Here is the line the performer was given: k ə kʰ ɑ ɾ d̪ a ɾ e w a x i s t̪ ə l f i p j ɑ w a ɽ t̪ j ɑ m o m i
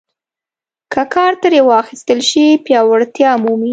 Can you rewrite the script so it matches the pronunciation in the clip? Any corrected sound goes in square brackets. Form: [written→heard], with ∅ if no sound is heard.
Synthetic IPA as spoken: k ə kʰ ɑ ɾ [d̪→t̪] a ɾ e w [a→ɑ] x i s t̪ ə l [f→ʃ] i p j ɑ w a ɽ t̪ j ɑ m [o→u] m i

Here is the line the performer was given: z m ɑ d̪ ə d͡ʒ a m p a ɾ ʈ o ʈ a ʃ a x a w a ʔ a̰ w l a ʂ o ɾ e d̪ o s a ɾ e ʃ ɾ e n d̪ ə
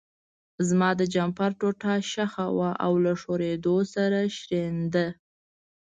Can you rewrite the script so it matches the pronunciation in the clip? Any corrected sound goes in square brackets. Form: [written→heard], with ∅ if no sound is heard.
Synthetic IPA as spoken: z m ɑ d̪ ə d͡ʒ a m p a ɾ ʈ o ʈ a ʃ a x a w a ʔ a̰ w l a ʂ o ɾ e d̪ o s a ɾ [e→a] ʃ ɾ e n d̪ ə

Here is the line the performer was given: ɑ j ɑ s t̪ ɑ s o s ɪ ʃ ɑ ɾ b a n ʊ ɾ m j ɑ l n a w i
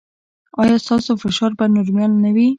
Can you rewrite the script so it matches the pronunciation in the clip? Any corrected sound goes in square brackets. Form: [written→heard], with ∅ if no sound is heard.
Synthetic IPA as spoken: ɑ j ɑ s t̪ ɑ s o [s→f] ɪ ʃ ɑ ɾ b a n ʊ ɾ m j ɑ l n a w i

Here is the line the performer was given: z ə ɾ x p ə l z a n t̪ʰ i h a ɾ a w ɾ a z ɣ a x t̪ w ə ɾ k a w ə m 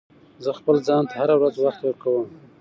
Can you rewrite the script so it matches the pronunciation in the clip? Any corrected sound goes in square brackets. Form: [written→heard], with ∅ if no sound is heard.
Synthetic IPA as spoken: z ə [ɾ→∅] x p ə l z [a→ɑ] n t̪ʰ [i→a] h a ɾ a w ɾ a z [ɣ→w] a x t̪ w ə ɾ k a w ə m

